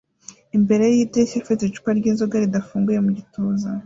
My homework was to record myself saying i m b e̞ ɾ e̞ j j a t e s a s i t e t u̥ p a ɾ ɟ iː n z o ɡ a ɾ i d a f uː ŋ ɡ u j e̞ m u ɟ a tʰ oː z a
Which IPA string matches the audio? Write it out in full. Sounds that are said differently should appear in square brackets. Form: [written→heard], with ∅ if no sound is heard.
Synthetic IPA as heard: i m b e̞ ɾ e̞ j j [a→i] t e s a [s→f] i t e [t→t͡ʃ] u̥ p a ɾ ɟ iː n z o ɡ a ɾ i d a f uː ŋ ɡ u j e̞ m u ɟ [a→i] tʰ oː z a